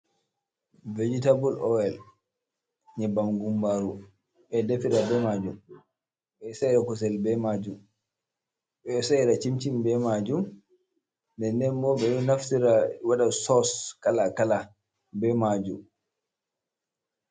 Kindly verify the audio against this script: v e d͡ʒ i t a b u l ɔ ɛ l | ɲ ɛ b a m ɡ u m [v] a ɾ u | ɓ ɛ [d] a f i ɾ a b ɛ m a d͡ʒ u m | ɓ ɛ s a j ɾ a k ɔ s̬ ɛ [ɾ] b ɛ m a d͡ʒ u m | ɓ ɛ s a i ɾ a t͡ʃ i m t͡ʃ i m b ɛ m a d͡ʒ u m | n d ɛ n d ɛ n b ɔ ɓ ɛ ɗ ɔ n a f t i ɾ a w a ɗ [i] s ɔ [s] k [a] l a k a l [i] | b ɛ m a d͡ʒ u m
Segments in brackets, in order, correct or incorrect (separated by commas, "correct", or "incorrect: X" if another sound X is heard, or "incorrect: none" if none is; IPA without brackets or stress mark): incorrect: b, correct, incorrect: l, incorrect: a, correct, correct, incorrect: a